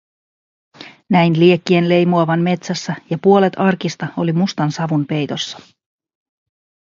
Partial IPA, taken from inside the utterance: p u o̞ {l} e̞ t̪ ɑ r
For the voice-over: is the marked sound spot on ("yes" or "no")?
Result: yes